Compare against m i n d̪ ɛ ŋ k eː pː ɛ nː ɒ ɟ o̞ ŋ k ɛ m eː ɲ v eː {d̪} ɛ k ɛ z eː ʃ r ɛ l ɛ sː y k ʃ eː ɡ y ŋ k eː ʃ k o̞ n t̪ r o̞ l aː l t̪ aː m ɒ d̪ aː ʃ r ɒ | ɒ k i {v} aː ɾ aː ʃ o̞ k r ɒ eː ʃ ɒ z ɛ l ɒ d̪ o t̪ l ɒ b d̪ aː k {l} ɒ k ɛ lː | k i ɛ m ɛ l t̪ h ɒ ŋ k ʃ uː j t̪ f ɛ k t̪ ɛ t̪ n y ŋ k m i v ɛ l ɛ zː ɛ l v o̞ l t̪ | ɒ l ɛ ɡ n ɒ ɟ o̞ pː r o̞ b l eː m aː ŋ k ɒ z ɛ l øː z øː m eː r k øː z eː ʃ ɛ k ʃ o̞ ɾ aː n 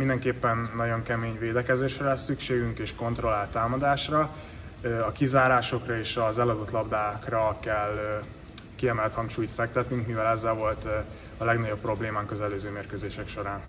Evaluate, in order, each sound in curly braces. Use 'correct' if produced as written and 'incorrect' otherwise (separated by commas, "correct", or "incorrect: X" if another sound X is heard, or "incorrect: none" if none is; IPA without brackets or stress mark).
correct, incorrect: z, incorrect: r